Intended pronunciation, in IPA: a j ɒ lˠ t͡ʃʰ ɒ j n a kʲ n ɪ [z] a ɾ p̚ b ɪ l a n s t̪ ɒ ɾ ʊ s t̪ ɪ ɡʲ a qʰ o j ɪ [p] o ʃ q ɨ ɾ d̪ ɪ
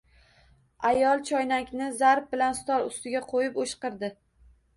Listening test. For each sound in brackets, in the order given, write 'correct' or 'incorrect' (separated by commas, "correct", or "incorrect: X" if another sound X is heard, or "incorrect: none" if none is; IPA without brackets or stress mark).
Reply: correct, correct